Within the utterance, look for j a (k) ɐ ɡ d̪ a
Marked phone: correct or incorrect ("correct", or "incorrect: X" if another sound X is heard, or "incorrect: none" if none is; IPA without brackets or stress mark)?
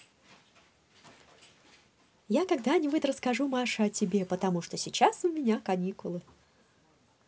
correct